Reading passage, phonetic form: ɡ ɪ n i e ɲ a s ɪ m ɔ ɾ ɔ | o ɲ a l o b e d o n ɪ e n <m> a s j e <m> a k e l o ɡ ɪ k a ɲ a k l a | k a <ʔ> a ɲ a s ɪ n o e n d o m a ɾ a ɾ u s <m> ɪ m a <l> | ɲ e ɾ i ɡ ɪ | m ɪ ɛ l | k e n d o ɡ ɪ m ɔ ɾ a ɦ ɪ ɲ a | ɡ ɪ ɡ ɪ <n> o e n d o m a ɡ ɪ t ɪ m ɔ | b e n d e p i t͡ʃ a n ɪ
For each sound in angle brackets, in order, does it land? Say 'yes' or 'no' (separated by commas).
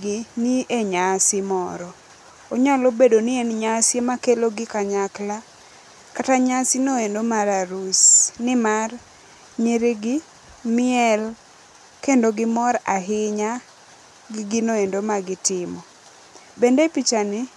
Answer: no, yes, no, no, no, yes